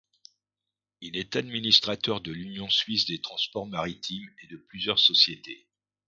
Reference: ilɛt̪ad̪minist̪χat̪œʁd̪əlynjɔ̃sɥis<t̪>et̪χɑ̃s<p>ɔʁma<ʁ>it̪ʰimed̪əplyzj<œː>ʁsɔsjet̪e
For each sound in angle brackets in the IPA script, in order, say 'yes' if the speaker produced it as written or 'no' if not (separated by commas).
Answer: no, yes, yes, no